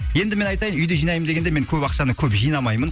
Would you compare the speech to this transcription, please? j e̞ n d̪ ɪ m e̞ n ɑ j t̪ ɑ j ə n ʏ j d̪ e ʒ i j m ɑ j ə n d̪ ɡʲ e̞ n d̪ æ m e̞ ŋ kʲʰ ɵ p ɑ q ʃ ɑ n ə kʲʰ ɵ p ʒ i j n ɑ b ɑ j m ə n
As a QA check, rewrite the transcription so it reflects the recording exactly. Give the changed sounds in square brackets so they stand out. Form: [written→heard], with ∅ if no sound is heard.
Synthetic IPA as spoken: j e̞ n d̪ ɪ m e̞ n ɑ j t̪ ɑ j ə n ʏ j d̪ e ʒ i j [m→n] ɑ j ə [n→m] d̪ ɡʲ e̞ n d̪ [æ→e] m e̞ ŋ kʲʰ ɵ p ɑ q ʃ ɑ n ə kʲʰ ɵ p ʒ i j n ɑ [b→m] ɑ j m ə n